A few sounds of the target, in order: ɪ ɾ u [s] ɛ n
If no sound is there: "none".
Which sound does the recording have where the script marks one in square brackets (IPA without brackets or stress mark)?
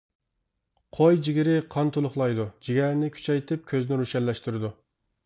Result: ʃ